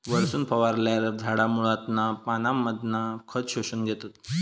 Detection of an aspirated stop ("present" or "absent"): present